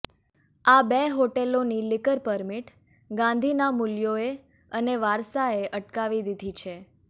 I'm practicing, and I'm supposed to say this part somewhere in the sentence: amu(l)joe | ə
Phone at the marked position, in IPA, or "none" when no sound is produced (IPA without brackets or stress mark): l